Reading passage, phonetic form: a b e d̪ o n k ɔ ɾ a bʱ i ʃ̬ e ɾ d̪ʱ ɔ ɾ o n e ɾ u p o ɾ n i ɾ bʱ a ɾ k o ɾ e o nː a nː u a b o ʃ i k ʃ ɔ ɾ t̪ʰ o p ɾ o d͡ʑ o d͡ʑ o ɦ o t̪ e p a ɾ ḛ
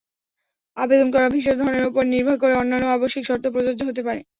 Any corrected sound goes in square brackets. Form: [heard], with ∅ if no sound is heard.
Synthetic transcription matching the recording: a b e d̪ o n k ɔ ɾ a bʱ i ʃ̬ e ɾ d̪ʱ ɔ ɾ o n e ɾ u p o ɾ n i ɾ bʱ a ɾ k o ɾ e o nː a nː [o] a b o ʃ i k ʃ ɔ ɾ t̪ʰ o p ɾ o d͡ʑ o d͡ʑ o ɦ o t̪ e p a ɾ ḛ